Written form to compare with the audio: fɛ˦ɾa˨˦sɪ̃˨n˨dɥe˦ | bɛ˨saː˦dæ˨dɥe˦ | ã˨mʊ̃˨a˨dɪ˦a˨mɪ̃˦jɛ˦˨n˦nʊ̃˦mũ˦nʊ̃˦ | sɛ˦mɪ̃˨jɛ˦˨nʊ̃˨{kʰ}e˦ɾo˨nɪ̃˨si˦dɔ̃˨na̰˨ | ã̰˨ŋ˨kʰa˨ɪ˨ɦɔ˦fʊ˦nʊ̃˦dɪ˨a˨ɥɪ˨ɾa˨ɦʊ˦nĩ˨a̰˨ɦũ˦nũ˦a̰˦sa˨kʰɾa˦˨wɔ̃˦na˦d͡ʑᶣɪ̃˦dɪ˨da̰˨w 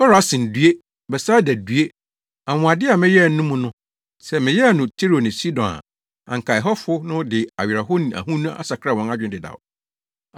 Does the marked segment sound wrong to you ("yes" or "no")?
yes